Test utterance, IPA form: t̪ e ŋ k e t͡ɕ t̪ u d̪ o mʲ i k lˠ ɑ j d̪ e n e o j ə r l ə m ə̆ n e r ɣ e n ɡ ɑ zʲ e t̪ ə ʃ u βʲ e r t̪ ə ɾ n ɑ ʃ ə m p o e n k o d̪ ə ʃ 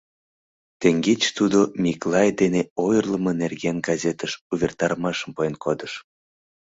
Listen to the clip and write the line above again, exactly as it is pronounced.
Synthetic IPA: t̪ e ŋ ɡ e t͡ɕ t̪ u d̪ o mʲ i k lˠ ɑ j d̪ e n e o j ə r l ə m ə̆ n e r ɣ e n ɡ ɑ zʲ e t̪ ə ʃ u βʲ e r t̪ ɑ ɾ m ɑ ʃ ə m p o e n k o d̪ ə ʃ